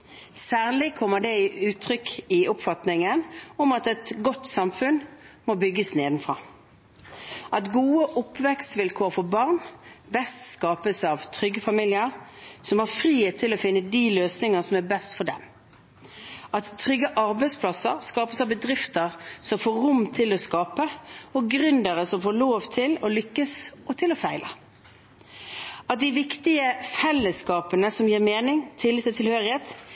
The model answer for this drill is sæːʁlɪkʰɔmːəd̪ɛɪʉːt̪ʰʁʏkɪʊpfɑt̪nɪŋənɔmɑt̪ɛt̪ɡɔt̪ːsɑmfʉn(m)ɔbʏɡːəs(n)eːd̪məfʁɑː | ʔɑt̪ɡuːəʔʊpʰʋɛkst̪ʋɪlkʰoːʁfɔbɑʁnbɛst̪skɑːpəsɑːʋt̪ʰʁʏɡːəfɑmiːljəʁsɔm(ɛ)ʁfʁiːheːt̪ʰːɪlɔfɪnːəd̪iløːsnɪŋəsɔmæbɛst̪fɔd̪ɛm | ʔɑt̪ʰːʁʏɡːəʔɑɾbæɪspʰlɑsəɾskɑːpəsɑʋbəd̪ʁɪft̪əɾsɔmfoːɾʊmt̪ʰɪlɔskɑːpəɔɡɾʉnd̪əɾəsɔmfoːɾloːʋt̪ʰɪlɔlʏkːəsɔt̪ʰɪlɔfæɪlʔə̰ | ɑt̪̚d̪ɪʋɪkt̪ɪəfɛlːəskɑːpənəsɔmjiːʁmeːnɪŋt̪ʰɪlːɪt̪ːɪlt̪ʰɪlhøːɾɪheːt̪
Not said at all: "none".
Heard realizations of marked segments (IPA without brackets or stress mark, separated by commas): m, n, æ